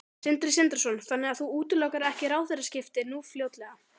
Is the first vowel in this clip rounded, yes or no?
no